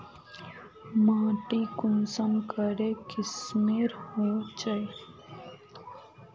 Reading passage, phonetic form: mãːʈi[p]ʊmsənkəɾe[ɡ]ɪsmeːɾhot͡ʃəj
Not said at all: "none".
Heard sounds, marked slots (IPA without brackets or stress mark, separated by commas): k, k